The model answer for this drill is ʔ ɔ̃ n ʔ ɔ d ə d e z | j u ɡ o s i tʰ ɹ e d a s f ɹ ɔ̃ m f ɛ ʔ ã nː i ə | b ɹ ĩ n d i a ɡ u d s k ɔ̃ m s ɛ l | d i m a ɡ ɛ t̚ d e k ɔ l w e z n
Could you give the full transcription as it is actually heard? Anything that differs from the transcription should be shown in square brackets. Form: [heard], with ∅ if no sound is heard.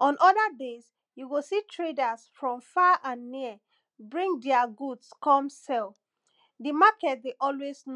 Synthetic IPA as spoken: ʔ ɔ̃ n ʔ ɔ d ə d e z | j u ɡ o s i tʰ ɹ e d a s f ɹ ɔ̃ m f [a] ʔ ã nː i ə | b ɹ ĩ [ŋ] d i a ɡ u d s k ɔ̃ m s ɛ l | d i m a [k] ɛ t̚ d e [ʔ] ɔ l w e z n